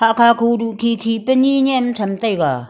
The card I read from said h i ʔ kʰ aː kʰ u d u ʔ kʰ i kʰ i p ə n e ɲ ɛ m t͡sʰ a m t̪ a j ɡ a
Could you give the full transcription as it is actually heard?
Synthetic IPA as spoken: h a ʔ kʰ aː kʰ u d u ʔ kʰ i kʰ i p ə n i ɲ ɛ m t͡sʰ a m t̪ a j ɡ a